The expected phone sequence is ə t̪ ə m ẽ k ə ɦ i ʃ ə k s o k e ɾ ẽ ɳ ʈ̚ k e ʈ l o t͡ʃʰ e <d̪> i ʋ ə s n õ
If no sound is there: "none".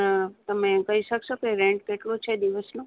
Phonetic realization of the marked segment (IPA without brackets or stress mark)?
d̪